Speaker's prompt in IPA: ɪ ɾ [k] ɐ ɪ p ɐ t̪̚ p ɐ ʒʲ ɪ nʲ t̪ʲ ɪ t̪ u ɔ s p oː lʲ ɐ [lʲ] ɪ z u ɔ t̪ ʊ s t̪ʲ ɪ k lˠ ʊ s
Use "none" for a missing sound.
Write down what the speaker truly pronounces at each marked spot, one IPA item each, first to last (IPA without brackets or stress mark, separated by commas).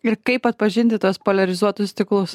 k, ɾʲ